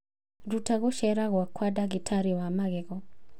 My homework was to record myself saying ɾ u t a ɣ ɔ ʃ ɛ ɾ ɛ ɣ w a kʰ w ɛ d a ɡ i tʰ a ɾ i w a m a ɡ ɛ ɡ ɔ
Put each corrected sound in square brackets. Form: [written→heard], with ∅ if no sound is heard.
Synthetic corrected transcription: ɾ u t a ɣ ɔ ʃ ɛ ɾ [ɛ→a] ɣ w a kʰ w [ɛ→a] d a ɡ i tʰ a ɾ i w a m a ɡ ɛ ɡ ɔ